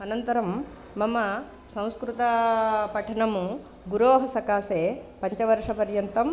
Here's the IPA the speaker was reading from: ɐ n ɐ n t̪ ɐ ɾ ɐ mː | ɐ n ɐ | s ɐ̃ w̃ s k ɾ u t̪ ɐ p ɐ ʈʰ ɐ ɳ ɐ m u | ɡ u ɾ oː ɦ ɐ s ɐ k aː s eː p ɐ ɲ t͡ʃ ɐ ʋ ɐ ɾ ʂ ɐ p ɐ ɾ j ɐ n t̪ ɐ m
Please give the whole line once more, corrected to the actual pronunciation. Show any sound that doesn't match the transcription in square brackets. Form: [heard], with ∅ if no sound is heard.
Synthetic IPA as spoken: ɐ n ɐ n t̪ ɐ ɾ ɐ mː | ɐ [m] ɐ | s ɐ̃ w̃ s k ɾ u t̪ ɐ p ɐ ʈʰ ɐ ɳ ɐ m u | ɡ u ɾ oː ɦ ɐ s ɐ k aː s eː p ɐ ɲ t͡ʃ ɐ ʋ ɐ ɾ ʂ ɐ p ɐ ɾ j ɐ n t̪ ɐ m